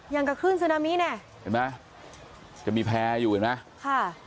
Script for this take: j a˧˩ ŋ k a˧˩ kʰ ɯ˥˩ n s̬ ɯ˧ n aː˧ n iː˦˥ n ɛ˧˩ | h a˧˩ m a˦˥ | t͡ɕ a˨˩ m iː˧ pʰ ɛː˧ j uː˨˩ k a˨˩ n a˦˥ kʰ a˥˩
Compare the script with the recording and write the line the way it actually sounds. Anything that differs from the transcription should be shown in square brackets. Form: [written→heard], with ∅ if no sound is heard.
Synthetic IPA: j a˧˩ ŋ k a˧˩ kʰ [ɯ˥˩→ɯː˥˩] n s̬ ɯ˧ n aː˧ [n→m] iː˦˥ n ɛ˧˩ | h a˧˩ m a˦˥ | t͡ɕ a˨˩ m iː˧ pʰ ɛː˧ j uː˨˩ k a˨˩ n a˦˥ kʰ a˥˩